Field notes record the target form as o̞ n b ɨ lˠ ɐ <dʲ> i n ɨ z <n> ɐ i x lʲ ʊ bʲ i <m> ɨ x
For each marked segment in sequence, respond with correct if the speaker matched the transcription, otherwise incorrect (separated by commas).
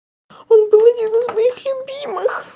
correct, incorrect, correct